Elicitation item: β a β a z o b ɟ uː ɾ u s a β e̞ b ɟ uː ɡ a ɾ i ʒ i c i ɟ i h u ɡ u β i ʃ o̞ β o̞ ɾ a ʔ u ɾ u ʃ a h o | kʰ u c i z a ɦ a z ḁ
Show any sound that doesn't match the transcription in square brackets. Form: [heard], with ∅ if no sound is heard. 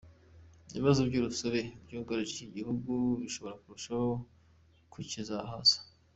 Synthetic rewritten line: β [i] β a z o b ɟ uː ɾ u s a β e̞ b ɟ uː ɡ a ɾ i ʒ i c i ɟ i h u ɡ u β i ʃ o̞ β o̞ ɾ a [k] u ɾ u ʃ a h o | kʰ u c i z a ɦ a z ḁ